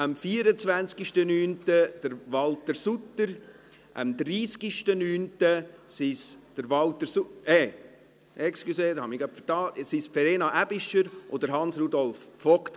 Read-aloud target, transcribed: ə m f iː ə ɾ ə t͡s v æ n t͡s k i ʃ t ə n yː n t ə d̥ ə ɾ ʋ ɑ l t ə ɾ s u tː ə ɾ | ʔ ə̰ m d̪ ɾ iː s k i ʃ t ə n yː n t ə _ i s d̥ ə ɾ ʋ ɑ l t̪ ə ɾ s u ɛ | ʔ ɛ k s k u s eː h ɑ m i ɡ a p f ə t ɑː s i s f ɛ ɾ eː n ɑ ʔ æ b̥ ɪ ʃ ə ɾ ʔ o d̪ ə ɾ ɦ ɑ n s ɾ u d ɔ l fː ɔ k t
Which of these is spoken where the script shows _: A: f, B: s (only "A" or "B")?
B